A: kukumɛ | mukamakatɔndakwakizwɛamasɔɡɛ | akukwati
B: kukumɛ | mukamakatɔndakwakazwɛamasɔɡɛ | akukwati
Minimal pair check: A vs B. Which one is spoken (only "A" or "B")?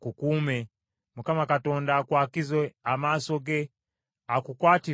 A